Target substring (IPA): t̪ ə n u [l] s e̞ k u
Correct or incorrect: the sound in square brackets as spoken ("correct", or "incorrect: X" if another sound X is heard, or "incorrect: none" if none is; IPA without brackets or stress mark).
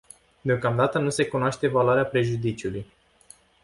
incorrect: none